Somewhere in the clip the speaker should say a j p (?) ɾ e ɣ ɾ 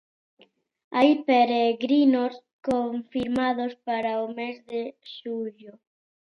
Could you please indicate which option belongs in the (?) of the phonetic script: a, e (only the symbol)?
e